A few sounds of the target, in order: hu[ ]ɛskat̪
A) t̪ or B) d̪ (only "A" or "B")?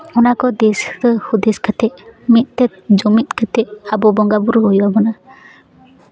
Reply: B